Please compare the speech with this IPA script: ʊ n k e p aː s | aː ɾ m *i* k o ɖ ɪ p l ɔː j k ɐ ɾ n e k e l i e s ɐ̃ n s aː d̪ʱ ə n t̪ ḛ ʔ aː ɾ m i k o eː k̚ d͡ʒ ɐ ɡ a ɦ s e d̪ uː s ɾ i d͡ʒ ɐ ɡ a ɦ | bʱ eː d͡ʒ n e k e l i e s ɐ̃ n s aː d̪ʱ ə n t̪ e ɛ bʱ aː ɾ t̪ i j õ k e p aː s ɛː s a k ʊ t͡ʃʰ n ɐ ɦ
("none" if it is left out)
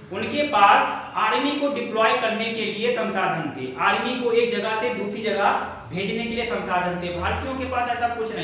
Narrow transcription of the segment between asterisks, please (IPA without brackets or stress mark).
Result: i